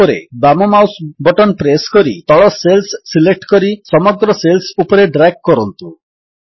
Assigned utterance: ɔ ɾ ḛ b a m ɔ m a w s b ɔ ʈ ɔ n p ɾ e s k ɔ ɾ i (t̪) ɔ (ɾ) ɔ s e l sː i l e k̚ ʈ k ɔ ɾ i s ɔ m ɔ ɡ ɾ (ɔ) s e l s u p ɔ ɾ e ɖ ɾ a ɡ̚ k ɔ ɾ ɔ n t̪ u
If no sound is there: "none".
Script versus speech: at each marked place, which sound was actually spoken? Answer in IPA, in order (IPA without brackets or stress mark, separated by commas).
t̪, ɭ, ɔ